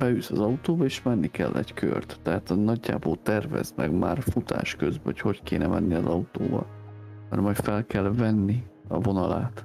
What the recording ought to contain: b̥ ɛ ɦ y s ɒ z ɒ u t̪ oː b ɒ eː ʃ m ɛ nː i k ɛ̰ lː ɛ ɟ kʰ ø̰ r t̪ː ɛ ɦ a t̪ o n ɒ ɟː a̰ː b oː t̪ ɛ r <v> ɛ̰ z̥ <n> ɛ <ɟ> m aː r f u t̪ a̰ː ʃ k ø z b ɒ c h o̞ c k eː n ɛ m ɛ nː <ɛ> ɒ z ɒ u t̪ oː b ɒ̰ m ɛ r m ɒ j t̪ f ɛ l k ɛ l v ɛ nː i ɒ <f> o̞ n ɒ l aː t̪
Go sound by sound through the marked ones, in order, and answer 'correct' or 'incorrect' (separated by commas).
correct, incorrect, incorrect, incorrect, incorrect